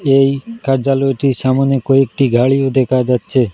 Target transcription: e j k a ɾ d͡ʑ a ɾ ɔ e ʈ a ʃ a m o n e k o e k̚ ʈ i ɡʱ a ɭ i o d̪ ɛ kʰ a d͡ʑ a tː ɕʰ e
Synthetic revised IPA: e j k a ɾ d͡ʑ a l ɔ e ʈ i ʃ a m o n e k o e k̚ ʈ i ɡʱ a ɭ i o d̪ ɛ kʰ a d͡ʑ a tː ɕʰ e